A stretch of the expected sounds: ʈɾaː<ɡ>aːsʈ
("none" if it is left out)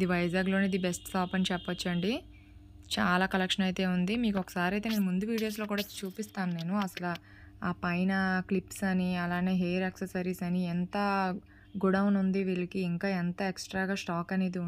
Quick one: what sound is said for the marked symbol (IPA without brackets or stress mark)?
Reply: ɡ